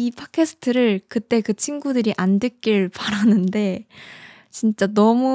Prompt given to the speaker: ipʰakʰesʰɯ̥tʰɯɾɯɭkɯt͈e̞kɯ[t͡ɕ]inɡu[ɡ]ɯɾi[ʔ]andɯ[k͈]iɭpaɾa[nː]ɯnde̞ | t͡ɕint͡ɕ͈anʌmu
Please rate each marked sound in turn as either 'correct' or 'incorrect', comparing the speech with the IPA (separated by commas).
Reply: incorrect, incorrect, correct, correct, incorrect